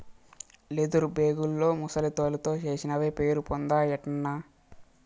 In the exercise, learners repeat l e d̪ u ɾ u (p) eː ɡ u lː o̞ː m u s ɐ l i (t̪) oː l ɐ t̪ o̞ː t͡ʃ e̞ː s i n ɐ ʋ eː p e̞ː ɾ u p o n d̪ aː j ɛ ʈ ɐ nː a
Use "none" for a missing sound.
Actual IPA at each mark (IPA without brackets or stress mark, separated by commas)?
b, t̪